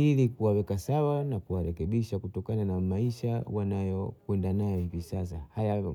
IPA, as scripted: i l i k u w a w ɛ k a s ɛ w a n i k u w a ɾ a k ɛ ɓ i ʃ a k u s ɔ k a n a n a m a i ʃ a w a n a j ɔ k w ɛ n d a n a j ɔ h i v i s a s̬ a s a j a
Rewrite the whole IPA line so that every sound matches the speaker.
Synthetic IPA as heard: i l i k u w a w ɛ k a s a w a n a k u w a ɾ ɛ k ɛ ɓ i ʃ a k u t ɔ k a n a n a m a i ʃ a w a n a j ɔ k w ɛ n d a n a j ɔ h i v i s a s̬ a h a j a